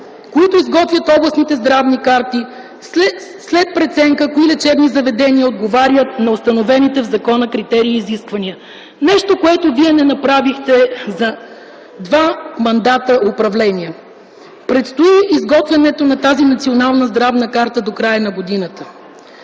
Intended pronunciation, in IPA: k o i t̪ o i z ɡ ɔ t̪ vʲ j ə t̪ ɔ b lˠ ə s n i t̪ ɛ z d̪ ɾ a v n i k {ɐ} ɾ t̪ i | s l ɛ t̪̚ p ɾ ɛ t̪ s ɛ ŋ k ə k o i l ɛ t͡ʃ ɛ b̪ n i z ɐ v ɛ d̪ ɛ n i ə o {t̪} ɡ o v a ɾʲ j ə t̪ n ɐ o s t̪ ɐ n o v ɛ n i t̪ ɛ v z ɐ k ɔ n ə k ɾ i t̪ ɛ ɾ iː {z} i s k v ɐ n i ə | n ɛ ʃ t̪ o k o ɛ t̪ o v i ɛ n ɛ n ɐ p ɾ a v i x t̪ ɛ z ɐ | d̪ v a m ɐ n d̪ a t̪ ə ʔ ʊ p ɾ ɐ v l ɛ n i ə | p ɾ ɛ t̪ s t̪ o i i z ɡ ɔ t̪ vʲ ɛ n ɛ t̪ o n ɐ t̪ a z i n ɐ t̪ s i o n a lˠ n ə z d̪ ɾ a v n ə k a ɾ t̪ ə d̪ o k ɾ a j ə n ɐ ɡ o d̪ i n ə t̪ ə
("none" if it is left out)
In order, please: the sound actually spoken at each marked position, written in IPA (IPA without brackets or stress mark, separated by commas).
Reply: a, d̪, z